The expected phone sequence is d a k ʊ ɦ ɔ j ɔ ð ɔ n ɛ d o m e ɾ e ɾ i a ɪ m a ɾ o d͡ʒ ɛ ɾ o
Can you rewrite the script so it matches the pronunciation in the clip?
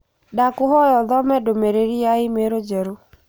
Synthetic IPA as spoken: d a k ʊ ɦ ɔ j ɔ ð ɔ m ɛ d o m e ɾ e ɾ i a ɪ m e ɾ o d͡ʒ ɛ ɾ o